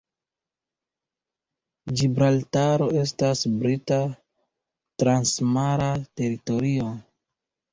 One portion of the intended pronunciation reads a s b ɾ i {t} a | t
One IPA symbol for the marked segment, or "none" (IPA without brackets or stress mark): t